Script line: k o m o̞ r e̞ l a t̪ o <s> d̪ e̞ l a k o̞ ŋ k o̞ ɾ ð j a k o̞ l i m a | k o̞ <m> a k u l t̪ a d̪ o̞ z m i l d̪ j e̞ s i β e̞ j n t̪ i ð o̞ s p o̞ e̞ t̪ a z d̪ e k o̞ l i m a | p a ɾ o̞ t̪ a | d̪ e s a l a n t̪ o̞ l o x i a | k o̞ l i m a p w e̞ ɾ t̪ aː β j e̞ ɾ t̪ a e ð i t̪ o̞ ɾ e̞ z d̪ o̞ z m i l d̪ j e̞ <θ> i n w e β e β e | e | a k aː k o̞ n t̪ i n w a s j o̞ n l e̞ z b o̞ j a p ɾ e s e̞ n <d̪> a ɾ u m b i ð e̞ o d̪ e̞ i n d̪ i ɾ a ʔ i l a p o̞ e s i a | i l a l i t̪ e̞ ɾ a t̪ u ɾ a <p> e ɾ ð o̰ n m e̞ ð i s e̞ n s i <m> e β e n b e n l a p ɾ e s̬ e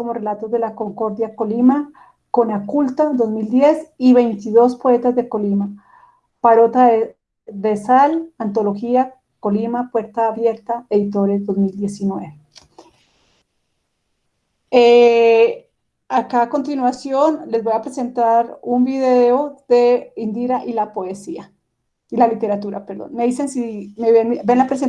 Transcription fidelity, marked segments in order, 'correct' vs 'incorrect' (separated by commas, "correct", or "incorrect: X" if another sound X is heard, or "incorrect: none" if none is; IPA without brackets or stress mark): incorrect: z, incorrect: n, incorrect: s, incorrect: t̪, correct, correct